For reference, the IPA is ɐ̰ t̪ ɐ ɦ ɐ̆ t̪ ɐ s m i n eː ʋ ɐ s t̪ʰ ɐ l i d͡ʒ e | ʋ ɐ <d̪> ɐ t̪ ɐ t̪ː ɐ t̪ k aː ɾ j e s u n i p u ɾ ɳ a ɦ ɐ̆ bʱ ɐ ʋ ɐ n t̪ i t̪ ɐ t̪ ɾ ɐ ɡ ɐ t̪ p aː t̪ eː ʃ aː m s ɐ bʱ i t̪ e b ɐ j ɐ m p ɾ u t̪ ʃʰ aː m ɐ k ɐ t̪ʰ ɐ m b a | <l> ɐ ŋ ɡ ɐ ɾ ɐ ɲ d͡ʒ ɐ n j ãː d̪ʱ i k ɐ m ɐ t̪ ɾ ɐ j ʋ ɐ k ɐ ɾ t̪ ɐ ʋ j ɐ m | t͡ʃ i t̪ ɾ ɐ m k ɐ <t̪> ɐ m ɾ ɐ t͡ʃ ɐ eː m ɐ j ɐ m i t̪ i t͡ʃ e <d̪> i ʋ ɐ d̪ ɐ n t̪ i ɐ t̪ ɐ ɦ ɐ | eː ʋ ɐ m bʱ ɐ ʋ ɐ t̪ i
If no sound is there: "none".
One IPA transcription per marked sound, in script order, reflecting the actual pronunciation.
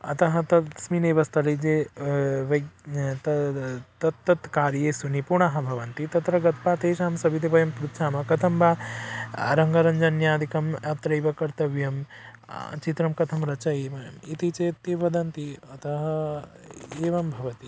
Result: t̪, ɾ, t̪ʰ, t̪

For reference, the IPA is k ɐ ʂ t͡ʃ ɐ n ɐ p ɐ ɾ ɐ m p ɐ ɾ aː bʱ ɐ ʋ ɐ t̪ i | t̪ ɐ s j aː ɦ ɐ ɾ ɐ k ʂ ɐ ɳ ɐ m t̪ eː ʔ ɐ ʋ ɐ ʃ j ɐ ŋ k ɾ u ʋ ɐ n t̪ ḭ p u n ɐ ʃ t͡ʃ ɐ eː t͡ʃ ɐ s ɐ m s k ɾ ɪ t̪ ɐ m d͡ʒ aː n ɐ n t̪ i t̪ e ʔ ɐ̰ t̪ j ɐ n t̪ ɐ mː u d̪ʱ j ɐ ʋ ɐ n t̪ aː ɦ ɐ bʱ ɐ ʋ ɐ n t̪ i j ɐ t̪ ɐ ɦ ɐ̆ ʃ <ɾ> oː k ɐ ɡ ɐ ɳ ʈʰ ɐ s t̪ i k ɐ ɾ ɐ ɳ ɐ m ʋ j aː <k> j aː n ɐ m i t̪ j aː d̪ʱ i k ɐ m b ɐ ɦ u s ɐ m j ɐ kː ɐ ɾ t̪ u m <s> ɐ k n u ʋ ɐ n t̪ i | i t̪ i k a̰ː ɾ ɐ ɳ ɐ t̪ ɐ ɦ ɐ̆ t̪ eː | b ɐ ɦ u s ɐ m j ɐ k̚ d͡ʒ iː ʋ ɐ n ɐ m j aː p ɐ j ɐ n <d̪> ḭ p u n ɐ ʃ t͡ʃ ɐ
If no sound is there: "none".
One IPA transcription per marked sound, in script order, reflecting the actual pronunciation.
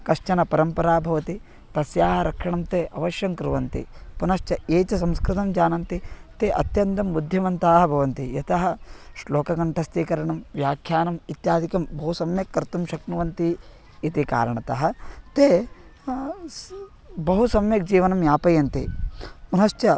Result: l, kʰ, ʃ, t̪

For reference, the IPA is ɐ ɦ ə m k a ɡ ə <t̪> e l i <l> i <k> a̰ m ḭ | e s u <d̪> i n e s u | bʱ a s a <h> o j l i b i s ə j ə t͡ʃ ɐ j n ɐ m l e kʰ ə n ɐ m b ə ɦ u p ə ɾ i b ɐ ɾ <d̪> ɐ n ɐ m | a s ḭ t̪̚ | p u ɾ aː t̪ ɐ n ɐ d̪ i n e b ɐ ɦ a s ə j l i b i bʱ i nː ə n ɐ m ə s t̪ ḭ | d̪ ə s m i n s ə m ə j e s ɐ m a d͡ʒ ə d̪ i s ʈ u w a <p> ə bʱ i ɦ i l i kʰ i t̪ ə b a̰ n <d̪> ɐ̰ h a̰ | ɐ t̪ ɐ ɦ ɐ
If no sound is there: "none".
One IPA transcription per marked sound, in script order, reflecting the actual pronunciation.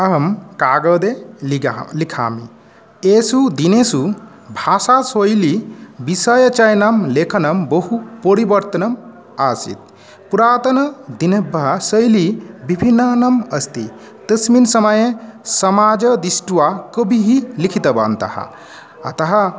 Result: d̪, l, kʰ, d̪, s, t̪, k, t̪

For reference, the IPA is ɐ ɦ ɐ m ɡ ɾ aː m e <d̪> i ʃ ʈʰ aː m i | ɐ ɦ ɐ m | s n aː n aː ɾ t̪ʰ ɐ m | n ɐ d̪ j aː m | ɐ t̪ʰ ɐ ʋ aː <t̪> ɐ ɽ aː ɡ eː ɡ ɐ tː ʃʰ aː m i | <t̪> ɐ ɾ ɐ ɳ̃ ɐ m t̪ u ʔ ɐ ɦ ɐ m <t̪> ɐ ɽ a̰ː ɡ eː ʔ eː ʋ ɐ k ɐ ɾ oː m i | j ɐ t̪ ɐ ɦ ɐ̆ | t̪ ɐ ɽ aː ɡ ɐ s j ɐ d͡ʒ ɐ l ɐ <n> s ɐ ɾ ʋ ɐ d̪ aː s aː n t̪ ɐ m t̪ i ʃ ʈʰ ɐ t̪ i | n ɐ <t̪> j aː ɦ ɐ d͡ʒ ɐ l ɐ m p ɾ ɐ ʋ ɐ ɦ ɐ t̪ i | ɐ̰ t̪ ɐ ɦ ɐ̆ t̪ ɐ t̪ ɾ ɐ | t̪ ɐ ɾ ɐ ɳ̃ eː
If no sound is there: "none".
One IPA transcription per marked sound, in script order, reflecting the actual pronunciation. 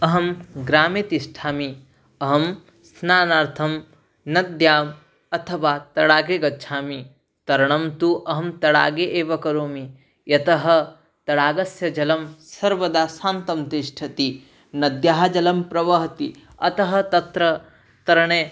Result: t̪, t̪, t̪, t̪, m, d̪

